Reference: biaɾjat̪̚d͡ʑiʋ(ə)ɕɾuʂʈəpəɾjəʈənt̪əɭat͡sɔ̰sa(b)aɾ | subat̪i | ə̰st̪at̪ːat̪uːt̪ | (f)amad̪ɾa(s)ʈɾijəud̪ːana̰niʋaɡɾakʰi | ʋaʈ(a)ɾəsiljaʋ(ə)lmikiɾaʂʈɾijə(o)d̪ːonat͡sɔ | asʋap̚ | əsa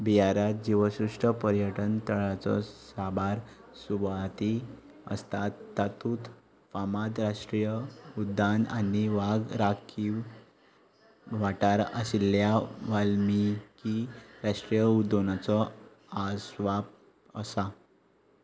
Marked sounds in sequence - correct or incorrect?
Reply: correct, correct, correct, incorrect, correct, incorrect, incorrect

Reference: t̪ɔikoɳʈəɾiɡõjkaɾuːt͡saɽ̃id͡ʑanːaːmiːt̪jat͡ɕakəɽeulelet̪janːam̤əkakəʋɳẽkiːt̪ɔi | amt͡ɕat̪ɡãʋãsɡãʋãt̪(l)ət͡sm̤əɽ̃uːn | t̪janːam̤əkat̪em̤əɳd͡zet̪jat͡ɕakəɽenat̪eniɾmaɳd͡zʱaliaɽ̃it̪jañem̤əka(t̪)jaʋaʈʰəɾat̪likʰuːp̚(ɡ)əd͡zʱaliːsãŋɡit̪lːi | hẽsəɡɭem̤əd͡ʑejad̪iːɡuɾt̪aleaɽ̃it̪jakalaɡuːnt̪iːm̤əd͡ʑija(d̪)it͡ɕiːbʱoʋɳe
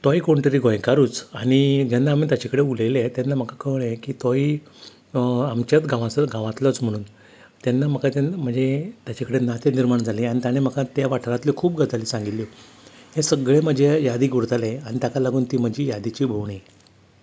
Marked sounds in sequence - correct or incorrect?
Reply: correct, correct, correct, correct

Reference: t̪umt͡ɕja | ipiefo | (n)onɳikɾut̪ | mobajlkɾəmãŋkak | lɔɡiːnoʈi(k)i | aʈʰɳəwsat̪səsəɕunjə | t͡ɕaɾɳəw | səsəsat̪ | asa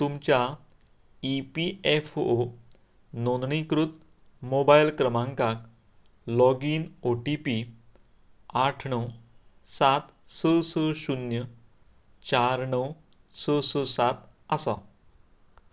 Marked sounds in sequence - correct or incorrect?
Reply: correct, incorrect

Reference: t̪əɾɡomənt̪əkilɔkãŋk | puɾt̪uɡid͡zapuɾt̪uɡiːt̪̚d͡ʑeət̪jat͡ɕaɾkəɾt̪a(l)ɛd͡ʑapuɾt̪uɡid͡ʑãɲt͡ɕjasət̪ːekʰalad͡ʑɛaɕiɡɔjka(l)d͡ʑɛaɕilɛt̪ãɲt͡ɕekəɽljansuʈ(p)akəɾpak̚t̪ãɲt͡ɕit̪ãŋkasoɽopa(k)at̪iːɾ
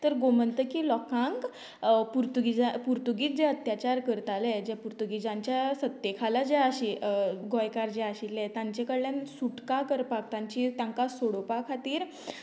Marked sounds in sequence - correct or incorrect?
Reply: correct, incorrect, incorrect, incorrect

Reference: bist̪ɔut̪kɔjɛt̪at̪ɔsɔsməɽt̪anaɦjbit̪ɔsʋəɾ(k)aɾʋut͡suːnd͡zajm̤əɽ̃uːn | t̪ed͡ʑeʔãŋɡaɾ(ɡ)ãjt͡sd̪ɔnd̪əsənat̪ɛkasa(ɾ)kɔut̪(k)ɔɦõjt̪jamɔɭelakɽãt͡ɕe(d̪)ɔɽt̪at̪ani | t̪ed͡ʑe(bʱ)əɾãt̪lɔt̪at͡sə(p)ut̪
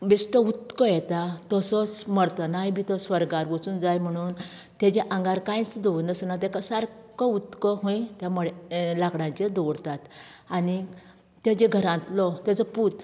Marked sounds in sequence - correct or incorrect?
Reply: incorrect, incorrect, correct, correct, correct, incorrect, correct

